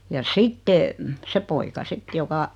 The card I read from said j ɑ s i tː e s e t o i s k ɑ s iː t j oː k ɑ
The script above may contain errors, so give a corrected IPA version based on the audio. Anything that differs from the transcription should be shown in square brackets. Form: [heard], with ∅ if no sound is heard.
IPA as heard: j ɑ s i tː e s e [p] o i [∅] k ɑ s [i] t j [o] k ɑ